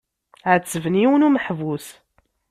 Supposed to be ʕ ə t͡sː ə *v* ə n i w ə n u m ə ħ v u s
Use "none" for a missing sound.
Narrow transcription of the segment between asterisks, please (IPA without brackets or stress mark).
v